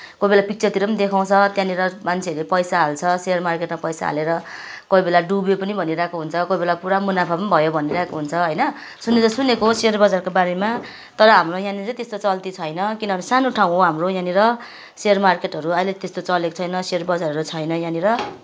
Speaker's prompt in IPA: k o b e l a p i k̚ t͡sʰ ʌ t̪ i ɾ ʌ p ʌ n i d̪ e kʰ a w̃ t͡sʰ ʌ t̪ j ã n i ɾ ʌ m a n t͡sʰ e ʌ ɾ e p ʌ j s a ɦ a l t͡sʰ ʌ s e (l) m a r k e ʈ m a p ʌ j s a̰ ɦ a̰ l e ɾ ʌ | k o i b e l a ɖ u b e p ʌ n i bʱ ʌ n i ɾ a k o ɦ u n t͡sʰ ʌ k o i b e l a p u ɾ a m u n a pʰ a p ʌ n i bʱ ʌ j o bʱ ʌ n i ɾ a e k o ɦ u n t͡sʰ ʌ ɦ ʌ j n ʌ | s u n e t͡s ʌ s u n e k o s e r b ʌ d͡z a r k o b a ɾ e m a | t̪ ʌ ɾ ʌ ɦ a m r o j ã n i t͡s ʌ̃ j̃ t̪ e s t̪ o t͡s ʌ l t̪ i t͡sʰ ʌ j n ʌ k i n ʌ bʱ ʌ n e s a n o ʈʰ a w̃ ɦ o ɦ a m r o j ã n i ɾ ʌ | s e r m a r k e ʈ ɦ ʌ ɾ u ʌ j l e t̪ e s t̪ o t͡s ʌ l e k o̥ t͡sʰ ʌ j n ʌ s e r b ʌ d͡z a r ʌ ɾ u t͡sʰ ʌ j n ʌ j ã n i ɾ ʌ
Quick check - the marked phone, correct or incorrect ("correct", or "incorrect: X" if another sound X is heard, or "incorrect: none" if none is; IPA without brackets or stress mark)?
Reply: incorrect: r